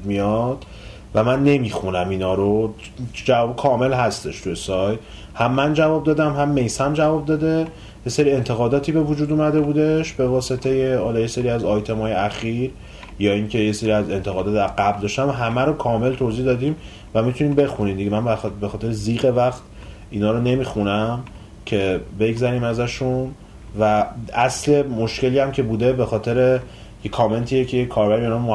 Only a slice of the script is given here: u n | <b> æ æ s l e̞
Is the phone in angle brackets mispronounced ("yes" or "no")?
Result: yes